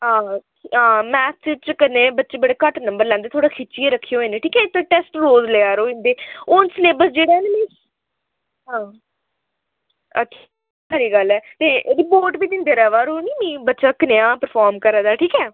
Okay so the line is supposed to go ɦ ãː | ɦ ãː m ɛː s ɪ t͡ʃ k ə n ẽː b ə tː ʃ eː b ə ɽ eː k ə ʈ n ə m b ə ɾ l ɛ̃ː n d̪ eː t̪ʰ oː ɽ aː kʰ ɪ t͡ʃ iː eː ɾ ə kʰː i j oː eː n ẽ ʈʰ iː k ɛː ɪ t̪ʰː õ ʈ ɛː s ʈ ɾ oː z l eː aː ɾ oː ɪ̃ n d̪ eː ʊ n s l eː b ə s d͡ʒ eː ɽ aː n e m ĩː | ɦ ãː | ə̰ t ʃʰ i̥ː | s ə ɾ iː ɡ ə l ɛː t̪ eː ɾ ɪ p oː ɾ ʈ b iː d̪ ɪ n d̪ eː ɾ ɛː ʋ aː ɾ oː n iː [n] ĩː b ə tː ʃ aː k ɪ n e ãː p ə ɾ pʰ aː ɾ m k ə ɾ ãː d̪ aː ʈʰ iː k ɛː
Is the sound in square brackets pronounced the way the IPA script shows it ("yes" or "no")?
no